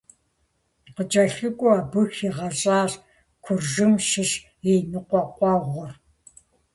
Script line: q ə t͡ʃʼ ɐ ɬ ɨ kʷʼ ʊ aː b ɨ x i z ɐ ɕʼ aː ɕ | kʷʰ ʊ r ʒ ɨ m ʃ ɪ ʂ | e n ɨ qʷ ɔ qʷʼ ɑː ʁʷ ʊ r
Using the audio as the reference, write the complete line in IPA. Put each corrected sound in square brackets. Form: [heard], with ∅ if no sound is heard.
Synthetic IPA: q ə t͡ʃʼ ɐ ɬ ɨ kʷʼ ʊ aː b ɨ x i [ʁ] ɐ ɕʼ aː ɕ | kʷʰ ʊ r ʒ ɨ m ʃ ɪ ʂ | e n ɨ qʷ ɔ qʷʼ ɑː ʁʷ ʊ r